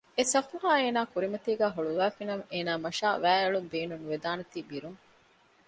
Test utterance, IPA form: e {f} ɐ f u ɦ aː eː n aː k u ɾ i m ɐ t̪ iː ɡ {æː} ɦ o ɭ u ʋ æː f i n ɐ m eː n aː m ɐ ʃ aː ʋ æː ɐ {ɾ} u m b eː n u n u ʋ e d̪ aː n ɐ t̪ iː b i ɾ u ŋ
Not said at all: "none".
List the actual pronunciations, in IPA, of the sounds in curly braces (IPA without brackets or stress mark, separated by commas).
s, æː, ɭ